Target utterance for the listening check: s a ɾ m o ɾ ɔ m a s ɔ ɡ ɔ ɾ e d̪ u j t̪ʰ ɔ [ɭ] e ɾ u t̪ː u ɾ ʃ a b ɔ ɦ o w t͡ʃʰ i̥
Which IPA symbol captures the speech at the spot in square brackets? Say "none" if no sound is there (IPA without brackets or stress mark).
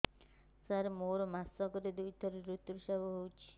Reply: ɾ